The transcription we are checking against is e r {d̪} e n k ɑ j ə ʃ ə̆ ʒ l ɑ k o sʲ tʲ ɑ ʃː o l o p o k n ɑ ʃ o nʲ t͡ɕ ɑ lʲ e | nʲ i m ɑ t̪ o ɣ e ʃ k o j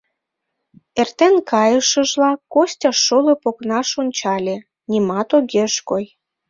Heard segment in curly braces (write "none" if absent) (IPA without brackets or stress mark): t̪